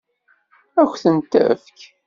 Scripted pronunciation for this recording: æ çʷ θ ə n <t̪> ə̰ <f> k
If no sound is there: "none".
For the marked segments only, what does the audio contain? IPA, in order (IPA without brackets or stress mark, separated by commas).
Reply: t̪, f